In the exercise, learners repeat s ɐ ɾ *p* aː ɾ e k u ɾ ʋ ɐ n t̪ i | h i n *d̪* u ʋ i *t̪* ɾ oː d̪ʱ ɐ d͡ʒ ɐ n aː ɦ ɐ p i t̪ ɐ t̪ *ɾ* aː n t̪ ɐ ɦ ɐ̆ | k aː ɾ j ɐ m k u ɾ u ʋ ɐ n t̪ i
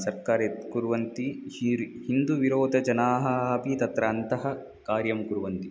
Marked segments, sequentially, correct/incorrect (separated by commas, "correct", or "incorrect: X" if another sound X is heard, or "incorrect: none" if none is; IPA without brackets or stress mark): incorrect: k, correct, incorrect: none, correct